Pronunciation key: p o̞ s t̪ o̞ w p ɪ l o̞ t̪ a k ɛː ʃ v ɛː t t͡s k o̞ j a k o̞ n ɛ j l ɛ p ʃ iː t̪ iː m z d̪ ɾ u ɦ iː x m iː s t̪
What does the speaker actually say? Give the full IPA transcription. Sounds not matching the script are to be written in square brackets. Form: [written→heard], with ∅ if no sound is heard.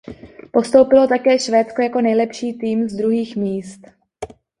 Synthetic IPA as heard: p o̞ s t̪ o̞ w p ɪ l o̞ t̪ a k ɛː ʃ v ɛː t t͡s k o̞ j a k o̞ n ɛ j l ɛ p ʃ iː t̪ iː m z d̪ ɾ u ɦ iː x m iː s t̪

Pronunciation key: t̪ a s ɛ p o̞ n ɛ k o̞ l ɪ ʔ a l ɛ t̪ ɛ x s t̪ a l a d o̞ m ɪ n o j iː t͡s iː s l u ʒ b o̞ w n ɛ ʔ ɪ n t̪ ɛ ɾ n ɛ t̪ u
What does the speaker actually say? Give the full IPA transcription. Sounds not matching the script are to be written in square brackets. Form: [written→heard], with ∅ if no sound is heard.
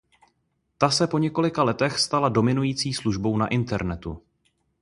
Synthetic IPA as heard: t̪ a s ɛ p o̞ [n→ɲ] ɛ k o̞ l ɪ [ʔ→k] a l ɛ t̪ ɛ x s t̪ a l a d o̞ m ɪ n [o→u] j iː t͡s iː s l u ʒ b o̞ w n [ɛ→a] ʔ ɪ n t̪ ɛ ɾ n ɛ t̪ u

